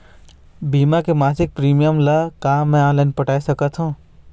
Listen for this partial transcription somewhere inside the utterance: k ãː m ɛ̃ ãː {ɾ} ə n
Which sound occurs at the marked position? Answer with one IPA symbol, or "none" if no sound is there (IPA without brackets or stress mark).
l